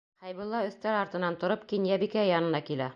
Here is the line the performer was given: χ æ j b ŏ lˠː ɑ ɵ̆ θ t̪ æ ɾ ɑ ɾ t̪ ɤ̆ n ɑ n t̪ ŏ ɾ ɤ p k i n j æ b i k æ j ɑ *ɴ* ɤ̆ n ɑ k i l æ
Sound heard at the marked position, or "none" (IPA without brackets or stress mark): n